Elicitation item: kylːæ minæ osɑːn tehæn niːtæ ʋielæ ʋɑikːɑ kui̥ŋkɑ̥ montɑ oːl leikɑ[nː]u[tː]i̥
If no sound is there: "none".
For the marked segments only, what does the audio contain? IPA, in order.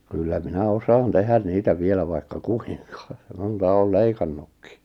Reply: nː, kː

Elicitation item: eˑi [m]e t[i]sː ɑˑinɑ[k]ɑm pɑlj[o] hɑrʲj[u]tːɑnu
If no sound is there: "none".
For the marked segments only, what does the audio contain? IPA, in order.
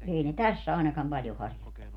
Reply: n, æ, k, o, o

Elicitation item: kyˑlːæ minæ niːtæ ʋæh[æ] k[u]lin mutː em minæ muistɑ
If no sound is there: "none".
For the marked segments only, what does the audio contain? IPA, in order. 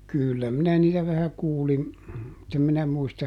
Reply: æ, uː

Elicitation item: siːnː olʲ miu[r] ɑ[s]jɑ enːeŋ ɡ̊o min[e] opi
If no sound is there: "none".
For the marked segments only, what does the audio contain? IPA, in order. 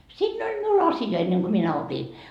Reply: l, s, æ

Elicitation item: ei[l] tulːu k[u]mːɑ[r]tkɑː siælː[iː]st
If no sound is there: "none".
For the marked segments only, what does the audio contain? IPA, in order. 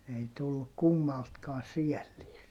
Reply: none, u, l, iː

